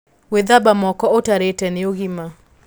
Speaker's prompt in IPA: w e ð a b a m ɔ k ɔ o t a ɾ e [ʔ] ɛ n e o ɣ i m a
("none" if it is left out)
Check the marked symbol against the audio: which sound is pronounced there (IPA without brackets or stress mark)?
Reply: t